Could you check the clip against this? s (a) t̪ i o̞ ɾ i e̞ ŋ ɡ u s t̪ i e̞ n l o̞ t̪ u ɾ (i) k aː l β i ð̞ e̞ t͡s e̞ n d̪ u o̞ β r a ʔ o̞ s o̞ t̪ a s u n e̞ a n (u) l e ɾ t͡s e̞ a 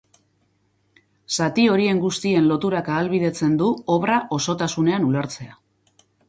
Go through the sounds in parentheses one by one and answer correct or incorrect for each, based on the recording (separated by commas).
correct, incorrect, correct